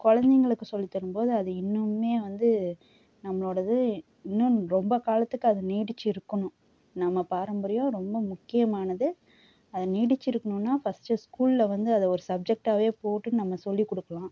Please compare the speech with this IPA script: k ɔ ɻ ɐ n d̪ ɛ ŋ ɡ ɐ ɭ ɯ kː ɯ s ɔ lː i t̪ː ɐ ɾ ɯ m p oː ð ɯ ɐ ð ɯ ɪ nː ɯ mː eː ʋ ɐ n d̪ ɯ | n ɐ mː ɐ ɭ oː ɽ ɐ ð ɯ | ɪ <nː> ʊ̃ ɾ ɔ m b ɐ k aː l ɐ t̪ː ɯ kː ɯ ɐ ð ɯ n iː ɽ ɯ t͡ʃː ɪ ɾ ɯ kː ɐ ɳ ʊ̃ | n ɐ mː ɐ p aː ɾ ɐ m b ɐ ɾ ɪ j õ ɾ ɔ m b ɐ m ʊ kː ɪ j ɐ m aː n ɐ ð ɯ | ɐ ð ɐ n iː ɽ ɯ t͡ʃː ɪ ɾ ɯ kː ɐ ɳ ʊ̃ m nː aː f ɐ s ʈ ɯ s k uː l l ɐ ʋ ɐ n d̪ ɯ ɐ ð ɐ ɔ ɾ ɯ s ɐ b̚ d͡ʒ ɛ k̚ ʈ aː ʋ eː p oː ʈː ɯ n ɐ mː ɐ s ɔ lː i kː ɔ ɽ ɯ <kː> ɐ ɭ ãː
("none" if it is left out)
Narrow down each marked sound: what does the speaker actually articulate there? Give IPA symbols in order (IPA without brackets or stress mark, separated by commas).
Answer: nː, kː